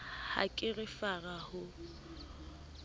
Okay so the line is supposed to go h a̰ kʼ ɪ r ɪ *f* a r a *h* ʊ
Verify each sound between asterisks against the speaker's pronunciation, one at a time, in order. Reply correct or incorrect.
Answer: correct, correct

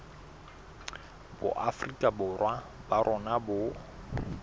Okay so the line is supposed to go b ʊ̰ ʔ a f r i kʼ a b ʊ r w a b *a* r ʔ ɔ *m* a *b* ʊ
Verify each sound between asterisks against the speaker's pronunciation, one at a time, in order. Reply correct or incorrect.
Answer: correct, incorrect: n, correct

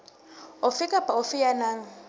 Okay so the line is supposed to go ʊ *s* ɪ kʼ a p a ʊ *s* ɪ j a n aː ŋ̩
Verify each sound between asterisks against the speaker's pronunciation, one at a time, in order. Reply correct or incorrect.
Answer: incorrect: f, incorrect: f

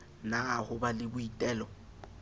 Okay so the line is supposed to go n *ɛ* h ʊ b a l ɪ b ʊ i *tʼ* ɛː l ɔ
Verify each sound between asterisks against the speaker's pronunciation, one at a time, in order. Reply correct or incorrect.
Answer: incorrect: a, correct

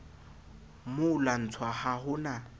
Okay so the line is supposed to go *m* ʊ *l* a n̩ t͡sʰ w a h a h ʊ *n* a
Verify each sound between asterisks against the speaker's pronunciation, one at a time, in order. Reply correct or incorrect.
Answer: correct, correct, correct

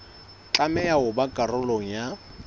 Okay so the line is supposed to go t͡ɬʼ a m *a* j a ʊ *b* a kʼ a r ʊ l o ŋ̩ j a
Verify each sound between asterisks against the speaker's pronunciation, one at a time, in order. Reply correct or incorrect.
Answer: incorrect: ɛ, correct

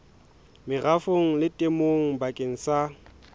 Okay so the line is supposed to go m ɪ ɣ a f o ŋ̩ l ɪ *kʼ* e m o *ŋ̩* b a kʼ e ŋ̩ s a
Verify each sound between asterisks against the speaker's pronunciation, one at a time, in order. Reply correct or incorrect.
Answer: incorrect: tʼ, correct

